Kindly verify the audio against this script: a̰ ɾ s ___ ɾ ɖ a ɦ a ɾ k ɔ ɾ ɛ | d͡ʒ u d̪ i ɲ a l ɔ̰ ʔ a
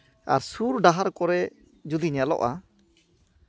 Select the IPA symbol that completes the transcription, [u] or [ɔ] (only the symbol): u